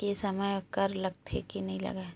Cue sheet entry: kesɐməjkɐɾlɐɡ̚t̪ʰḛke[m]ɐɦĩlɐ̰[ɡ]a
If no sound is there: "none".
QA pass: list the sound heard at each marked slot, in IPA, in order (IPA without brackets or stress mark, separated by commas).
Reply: n, ɡ